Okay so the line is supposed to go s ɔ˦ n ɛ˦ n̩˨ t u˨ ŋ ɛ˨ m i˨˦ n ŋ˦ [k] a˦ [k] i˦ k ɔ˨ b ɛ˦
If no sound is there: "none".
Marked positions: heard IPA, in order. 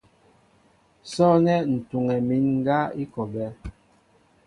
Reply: ɡ, none

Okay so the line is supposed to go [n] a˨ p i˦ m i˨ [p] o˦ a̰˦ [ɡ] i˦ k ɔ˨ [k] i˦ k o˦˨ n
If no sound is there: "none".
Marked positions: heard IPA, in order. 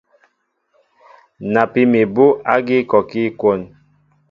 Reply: n, b, ɡ, k

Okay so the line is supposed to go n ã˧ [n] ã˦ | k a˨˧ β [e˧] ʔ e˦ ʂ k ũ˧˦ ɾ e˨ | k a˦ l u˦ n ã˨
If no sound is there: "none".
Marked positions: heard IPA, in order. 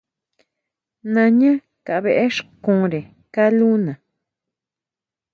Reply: ɲ, e˧

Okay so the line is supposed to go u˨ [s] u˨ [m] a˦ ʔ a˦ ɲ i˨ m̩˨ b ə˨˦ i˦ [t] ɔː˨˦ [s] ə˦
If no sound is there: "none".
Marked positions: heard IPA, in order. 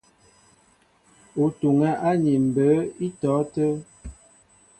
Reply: t, ŋ, t, t

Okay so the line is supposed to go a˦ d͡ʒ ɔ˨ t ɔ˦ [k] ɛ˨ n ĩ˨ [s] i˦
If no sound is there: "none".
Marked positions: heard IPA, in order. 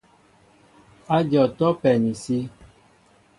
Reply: p, s

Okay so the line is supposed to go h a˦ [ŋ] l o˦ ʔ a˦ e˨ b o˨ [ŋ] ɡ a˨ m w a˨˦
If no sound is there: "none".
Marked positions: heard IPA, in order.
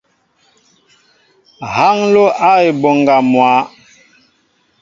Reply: ŋ, ŋ

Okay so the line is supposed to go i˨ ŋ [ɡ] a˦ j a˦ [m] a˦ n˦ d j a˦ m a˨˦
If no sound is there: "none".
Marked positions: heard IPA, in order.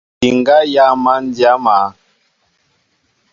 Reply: ɡ, m

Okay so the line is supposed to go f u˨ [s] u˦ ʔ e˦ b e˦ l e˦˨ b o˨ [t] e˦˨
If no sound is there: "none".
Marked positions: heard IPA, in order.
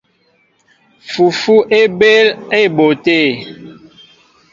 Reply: f, t

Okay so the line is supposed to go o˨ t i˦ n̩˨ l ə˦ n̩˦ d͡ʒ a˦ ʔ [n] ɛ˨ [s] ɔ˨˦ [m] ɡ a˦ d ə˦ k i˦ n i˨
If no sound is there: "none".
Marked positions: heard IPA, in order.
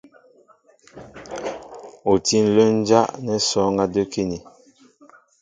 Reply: n, s, ŋ

